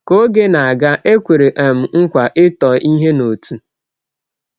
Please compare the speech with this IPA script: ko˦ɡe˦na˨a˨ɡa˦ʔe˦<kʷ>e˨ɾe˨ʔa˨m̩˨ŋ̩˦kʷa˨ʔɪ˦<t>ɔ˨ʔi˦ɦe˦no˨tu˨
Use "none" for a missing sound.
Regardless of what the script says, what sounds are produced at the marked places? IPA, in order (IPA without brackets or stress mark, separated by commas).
kʷ, t